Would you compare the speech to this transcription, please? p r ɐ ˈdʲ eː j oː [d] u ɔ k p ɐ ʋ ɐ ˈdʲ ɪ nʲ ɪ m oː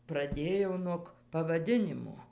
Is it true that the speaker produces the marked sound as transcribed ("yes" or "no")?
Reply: no